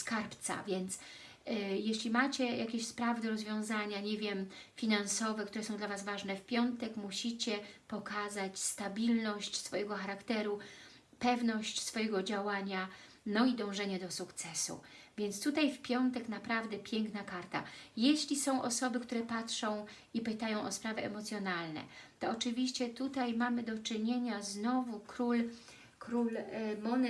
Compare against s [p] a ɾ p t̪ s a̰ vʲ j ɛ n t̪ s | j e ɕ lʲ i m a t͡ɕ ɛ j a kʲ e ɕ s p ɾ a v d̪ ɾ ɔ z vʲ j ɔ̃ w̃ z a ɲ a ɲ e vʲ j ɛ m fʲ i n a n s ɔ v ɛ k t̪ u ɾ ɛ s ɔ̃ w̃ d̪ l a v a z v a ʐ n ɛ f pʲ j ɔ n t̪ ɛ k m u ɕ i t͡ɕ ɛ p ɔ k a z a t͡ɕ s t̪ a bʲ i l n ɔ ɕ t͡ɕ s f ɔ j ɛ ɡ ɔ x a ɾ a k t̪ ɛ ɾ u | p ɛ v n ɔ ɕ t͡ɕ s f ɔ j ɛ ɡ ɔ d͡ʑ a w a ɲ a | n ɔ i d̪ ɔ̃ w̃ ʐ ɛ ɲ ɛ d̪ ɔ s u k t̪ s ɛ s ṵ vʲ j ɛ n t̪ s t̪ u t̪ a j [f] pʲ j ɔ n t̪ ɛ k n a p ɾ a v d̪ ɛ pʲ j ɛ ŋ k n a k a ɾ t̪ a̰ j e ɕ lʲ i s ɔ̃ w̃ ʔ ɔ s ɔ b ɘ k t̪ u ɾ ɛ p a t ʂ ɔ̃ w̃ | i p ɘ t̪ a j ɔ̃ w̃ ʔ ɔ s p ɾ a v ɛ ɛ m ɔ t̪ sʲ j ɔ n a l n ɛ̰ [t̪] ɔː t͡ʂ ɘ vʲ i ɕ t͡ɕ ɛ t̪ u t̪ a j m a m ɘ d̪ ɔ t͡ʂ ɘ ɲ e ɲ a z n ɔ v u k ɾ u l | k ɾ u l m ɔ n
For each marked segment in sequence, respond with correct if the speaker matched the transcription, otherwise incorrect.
incorrect: k, correct, correct

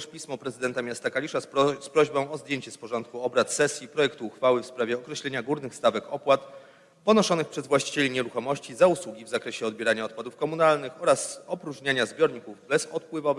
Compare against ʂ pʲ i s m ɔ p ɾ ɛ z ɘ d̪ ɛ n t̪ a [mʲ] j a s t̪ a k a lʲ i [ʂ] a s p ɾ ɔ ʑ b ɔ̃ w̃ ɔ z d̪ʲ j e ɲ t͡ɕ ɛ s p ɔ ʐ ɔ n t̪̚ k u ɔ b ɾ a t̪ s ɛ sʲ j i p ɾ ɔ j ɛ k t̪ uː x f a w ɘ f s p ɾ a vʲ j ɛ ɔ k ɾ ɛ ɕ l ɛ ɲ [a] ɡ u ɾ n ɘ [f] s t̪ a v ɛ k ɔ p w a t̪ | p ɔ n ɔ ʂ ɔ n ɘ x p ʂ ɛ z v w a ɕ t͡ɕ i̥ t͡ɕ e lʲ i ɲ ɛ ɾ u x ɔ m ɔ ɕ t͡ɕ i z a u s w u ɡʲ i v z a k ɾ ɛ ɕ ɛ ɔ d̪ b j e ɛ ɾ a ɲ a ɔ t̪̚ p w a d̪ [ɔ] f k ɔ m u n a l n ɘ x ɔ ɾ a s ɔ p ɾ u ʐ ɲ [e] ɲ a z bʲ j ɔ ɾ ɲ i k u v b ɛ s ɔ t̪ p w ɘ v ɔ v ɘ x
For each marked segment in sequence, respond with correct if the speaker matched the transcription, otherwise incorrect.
correct, correct, correct, incorrect: x, incorrect: u, incorrect: a

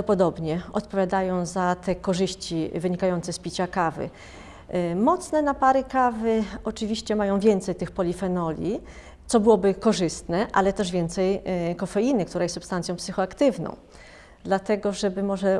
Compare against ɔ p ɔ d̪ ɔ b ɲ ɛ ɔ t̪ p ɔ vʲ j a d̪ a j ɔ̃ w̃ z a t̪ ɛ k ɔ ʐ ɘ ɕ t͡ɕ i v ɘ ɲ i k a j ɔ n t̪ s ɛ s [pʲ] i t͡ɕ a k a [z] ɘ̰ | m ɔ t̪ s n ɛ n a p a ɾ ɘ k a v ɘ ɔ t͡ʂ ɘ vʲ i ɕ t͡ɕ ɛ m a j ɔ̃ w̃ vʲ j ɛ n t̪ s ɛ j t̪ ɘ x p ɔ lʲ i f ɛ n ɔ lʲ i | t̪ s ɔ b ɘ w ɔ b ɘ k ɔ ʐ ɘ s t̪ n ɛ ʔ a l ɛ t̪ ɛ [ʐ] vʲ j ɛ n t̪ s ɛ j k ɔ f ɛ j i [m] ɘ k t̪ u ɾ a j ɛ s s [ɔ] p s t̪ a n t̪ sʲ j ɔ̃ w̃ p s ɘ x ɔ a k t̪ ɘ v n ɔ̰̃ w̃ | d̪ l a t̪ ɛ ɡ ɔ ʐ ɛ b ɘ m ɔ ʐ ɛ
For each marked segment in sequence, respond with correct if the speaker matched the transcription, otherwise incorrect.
correct, incorrect: v, correct, incorrect: n, incorrect: u

